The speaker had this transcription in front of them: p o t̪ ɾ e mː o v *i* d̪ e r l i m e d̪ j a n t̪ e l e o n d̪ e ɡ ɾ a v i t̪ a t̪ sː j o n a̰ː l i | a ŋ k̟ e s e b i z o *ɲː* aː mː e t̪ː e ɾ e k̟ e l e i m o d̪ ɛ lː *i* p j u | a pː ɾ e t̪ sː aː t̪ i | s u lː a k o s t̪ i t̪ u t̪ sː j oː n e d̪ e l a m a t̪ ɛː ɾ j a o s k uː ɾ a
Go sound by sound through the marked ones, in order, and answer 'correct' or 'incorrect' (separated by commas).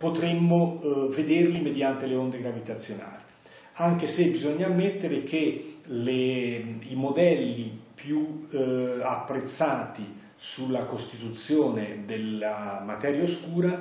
incorrect, correct, correct